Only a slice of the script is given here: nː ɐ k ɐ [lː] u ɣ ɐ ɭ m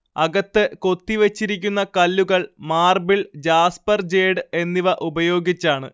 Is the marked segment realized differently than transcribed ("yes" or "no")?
no